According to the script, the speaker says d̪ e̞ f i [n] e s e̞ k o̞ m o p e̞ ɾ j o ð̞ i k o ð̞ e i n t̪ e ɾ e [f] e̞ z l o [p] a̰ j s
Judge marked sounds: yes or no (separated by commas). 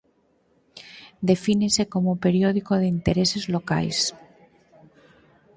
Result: yes, no, no